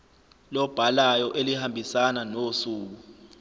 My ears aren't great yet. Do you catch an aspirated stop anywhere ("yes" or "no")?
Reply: no